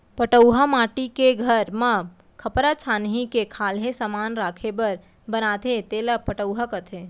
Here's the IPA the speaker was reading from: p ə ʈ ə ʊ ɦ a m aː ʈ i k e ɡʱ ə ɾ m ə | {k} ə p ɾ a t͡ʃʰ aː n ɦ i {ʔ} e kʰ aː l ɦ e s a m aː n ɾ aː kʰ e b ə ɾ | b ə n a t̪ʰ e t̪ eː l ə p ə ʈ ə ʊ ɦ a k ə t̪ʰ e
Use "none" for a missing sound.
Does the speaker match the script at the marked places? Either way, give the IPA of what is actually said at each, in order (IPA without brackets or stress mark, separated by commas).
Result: kʰ, k